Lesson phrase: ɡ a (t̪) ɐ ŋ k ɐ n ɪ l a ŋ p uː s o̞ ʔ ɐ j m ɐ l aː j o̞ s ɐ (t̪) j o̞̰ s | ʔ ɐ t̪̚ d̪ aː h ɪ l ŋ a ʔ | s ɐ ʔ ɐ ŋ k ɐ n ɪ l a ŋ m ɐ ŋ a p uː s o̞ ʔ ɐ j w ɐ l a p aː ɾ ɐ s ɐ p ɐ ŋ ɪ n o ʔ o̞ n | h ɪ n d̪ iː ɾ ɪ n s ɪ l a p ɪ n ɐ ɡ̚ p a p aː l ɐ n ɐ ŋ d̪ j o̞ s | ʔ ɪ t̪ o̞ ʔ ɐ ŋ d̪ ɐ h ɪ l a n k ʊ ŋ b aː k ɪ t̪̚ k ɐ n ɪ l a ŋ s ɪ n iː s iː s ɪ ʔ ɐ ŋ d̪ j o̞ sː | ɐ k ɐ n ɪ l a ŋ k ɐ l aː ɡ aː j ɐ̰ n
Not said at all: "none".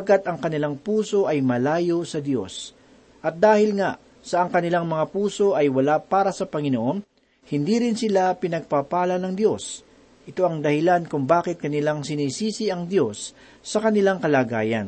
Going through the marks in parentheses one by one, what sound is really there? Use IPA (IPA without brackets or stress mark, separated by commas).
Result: t̪, d̪